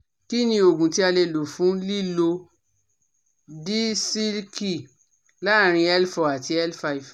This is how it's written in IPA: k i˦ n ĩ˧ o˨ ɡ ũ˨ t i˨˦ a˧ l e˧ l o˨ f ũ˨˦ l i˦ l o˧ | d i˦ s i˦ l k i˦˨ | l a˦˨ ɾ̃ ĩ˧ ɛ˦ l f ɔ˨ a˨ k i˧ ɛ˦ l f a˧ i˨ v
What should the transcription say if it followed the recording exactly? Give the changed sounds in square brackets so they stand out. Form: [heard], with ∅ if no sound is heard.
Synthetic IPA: k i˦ n ĩ˧ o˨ ɡ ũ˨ t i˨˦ a˧ l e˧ l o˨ f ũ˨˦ l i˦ l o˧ | d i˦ s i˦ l k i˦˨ | l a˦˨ ɾ̃ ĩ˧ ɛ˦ l f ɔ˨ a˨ [t] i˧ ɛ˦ l f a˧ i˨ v